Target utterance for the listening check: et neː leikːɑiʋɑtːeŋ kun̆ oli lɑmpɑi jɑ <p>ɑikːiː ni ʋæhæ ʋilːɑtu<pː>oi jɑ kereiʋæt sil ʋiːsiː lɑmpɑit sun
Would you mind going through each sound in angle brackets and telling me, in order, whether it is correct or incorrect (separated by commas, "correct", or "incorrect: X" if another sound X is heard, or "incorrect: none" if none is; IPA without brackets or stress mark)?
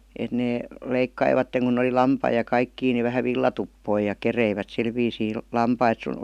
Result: incorrect: k, correct